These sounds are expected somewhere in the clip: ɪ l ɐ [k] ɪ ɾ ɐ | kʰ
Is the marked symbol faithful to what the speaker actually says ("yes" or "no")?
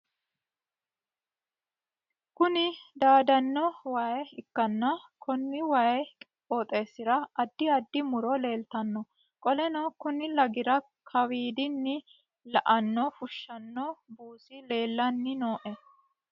no